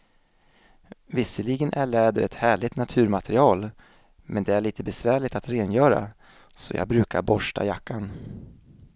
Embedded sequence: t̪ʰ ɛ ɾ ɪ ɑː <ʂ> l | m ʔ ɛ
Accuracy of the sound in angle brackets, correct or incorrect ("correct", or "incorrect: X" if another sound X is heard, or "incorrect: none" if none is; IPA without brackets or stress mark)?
incorrect: none